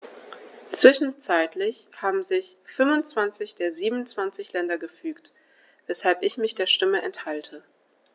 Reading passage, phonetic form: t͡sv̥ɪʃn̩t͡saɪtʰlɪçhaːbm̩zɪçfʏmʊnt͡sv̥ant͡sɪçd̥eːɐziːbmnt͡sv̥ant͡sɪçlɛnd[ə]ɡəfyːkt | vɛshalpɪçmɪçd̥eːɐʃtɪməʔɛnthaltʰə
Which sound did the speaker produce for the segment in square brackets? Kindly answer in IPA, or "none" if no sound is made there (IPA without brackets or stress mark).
ɐ